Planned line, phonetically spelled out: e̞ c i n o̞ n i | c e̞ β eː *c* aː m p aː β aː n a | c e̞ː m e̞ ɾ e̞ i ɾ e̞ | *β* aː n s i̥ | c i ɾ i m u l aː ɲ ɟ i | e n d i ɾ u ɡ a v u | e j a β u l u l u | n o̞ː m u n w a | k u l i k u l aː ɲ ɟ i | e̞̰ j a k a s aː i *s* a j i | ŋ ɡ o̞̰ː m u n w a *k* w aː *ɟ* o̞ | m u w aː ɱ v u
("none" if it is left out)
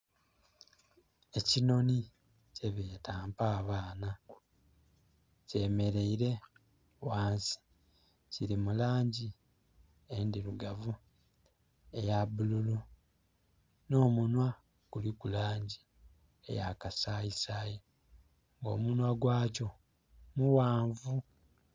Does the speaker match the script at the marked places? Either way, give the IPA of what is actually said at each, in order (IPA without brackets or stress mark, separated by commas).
t, w, s, ɡ, c